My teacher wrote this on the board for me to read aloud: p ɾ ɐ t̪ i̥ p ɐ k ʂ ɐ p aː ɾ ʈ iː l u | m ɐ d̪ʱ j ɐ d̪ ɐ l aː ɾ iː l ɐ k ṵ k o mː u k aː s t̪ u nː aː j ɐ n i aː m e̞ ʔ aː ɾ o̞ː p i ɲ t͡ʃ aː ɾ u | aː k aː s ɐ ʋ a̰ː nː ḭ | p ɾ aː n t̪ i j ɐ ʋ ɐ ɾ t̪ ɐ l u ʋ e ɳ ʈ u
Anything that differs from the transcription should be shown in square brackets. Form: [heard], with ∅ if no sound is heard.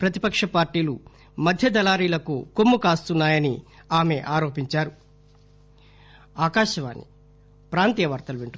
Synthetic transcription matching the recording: p ɾ ɐ t̪ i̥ p ɐ k ʂ ɐ p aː ɾ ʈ iː l u | m ɐ d̪ʱ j ɐ d̪ ɐ l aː ɾ iː l ɐ k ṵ k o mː u k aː s t̪ u nː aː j ɐ n i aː m e̞ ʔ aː ɾ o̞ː p i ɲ t͡ʃ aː ɾ u | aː k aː [ʃ] ɐ ʋ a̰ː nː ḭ | p ɾ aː n t̪ i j ɐ ʋ ɐ ɾ t̪ ɐ l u ʋ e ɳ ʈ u